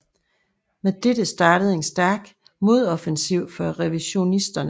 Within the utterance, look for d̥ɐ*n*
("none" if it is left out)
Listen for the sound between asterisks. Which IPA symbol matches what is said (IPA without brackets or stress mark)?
n